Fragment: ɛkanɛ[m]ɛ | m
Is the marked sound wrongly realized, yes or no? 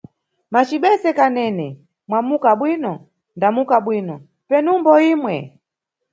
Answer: yes